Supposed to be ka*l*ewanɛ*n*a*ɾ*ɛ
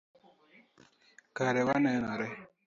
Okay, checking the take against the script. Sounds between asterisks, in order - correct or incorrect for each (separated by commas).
incorrect, correct, correct